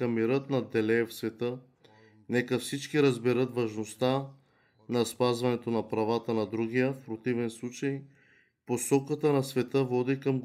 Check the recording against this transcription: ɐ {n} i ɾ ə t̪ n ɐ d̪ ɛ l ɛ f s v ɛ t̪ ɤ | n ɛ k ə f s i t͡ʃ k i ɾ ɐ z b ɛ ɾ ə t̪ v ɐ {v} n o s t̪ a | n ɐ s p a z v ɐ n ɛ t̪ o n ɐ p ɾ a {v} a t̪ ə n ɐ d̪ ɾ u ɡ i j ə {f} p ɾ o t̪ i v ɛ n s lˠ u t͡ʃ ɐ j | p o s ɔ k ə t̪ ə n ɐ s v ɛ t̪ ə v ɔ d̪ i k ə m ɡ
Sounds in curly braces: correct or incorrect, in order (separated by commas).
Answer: incorrect, incorrect, correct, correct